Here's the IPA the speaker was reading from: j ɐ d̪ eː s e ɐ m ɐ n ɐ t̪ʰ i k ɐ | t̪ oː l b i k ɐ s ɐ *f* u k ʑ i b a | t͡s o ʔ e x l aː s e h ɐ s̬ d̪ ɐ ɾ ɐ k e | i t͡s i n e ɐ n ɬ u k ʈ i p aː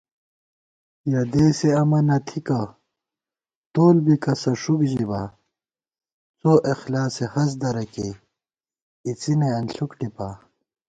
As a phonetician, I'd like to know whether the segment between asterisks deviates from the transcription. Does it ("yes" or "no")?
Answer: yes